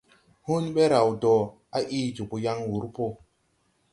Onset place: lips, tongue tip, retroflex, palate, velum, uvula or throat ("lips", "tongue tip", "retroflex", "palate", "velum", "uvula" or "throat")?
throat